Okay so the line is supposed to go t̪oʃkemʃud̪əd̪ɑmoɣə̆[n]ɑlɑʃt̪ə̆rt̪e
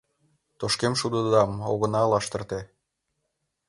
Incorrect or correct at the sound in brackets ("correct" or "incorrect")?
correct